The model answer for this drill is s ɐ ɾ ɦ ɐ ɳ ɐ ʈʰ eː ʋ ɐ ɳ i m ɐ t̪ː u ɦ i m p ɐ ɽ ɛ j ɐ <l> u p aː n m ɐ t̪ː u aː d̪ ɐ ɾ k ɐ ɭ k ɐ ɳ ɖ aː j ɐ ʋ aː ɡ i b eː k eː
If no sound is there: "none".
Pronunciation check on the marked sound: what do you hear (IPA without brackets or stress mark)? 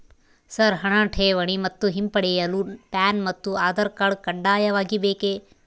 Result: l